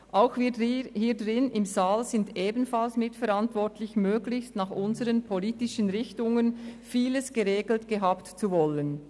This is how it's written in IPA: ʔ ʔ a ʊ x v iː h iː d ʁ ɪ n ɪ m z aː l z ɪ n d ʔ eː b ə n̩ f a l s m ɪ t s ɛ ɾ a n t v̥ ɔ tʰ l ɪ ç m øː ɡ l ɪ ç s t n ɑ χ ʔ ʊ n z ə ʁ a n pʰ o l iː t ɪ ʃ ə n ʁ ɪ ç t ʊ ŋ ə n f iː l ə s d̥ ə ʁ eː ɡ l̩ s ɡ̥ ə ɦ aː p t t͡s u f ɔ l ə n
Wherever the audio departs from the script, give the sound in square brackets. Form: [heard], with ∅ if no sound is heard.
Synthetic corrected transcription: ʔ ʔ a ʊ x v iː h iː d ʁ ɪ n ɪ m z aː l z ɪ n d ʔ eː b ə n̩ f a l s m ɪ t [f] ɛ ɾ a n t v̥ ɔ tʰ l ɪ ç m øː ɡ l ɪ ç s t n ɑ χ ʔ ʊ n z ə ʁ [ə] n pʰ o l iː t ɪ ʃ ə n ʁ ɪ ç t ʊ ŋ ə n f iː l ə s [ɡ̥] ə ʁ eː ɡ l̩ [t] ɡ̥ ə ɦ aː p t t͡s u [v] ɔ l ə n